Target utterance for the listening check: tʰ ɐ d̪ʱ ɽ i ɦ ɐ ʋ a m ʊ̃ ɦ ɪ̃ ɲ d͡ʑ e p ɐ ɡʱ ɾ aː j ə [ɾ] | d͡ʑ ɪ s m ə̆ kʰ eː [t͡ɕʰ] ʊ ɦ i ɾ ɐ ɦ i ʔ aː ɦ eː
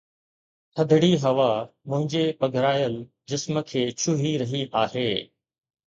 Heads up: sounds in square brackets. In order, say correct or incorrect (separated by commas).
incorrect, correct